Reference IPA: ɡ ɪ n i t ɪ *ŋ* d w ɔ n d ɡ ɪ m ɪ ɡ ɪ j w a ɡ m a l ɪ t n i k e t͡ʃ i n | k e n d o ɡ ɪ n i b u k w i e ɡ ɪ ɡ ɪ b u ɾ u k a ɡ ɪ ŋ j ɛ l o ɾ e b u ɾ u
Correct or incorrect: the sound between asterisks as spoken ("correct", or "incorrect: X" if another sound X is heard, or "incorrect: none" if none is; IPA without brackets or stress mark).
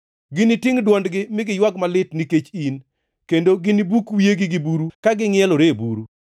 correct